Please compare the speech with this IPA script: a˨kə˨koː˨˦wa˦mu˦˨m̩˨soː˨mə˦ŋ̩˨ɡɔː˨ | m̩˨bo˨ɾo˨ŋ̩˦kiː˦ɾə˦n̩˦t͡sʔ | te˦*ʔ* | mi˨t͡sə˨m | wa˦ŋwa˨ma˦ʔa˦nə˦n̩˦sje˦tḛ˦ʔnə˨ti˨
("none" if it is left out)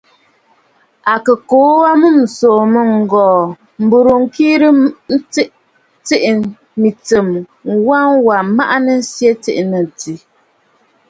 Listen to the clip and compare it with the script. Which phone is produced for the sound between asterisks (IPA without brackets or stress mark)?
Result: ʔ